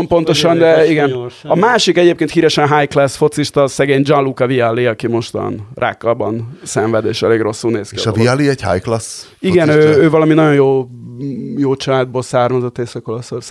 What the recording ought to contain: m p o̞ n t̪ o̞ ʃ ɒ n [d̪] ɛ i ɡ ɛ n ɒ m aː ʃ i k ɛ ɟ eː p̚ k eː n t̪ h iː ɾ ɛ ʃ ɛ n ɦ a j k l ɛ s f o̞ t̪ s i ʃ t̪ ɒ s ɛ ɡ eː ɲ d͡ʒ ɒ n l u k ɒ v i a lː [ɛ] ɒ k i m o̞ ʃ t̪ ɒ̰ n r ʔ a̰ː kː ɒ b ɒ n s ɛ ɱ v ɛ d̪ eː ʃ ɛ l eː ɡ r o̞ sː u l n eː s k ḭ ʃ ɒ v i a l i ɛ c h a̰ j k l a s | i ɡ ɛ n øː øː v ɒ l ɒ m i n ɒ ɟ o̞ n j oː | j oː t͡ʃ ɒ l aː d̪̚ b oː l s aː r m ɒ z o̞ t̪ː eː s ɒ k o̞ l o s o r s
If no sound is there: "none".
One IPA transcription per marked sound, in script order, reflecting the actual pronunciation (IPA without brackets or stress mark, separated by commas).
d̪, i